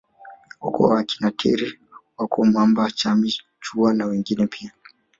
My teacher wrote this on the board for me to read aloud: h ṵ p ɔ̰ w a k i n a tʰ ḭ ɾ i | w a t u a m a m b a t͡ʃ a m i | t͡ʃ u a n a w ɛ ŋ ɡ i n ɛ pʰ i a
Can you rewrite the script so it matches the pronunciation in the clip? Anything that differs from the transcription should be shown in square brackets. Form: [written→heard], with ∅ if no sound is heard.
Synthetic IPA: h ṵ [p→k] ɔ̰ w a k i n a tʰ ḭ ɾ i | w a [t→k] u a m a m b a t͡ʃ a m i | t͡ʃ u a n a w ɛ ŋ ɡ i n ɛ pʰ i a